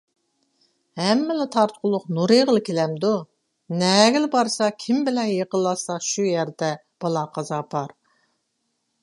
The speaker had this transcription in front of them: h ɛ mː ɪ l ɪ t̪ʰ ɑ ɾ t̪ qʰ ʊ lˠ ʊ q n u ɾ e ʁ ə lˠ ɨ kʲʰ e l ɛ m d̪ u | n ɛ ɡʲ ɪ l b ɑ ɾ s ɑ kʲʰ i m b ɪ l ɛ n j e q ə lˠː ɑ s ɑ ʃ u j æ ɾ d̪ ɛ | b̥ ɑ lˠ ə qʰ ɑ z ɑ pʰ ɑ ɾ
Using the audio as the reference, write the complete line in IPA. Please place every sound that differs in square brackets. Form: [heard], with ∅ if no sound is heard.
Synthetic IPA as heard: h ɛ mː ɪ l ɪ t̪ʰ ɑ ɾ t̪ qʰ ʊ lˠ ʊ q n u ɾ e ʁ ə lˠ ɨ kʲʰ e l ɛ m d̪ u | n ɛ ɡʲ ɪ l b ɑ ɾ s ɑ kʲʰ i m b ɪ l ɛ n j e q ə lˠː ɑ s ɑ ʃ u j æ ɾ d̪ ɛ | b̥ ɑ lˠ [ɑ] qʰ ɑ z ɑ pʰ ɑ ɾ